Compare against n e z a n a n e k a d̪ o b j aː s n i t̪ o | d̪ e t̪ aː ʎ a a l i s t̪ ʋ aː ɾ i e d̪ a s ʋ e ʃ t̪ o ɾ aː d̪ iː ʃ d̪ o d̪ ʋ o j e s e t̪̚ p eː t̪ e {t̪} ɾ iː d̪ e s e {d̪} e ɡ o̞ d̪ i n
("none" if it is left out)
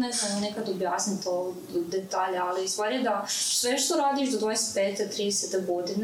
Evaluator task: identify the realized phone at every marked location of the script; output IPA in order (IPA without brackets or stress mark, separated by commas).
t̪, t̪